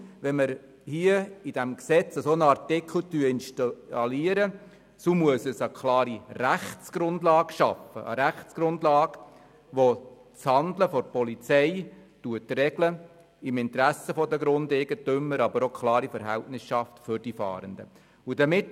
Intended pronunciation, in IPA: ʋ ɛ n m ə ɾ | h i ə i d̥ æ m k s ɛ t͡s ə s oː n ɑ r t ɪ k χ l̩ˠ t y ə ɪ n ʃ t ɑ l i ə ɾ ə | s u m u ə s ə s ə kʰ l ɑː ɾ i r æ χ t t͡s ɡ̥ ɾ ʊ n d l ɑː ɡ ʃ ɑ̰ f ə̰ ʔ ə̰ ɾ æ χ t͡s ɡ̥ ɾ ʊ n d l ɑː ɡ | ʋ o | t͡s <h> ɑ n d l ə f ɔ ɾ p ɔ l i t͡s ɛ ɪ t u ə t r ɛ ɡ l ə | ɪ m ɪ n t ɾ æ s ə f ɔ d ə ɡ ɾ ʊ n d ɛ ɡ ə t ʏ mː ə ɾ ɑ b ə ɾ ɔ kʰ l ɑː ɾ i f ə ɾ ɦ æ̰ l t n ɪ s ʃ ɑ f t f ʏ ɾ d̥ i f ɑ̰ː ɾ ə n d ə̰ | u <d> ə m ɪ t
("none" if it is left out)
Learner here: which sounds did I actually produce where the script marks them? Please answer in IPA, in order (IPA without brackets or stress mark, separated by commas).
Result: h, d